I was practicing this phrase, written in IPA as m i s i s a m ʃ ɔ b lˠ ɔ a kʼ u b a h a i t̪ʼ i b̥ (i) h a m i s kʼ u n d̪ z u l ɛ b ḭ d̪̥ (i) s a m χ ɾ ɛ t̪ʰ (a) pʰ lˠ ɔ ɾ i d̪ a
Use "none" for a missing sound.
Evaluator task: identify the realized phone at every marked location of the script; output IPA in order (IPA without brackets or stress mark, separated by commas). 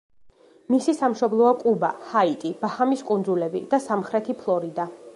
a, a, i